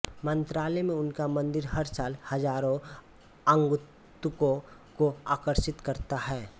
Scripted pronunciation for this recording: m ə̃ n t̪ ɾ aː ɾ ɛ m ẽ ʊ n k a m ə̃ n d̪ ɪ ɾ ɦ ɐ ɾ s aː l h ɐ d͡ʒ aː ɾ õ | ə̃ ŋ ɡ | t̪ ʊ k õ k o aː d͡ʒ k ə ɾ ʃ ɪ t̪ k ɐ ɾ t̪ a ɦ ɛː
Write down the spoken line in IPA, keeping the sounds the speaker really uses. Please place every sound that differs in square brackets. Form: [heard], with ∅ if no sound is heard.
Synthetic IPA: m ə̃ n t̪ ɾ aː [l] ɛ m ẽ ʊ n k a m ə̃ n d̪ ɪ ɾ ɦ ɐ ɾ s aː l h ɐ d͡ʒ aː ɾ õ | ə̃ ŋ ɡ | t̪ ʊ k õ k o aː [∅] k ə ɾ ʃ ɪ t̪ k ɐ ɾ t̪ a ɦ ɛː